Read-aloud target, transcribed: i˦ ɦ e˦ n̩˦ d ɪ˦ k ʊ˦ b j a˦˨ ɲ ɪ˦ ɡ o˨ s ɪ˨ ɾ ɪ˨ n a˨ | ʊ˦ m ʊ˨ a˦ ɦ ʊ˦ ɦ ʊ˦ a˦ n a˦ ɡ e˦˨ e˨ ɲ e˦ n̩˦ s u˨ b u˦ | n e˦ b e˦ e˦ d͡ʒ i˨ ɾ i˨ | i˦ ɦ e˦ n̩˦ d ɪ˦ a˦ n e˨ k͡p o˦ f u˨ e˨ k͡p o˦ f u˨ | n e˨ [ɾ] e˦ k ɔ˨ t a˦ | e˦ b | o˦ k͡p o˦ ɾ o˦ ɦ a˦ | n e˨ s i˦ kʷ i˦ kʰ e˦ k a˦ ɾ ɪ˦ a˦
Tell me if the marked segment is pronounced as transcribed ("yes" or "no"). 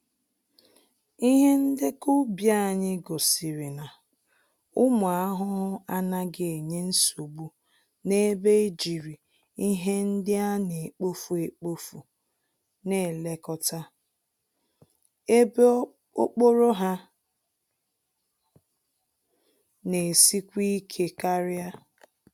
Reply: no